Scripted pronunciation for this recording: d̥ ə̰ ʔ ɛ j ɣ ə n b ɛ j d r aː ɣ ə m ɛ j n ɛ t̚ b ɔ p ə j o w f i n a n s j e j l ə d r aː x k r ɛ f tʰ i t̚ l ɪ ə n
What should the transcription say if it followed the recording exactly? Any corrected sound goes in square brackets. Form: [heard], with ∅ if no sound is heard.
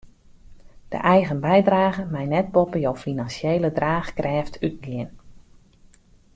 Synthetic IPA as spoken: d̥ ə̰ ʔ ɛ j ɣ ə n b ɛ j d r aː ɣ ə m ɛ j n ɛ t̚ b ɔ p ə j o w f i n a n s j e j l ə d r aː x k r [ɛː] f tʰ [y] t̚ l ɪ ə n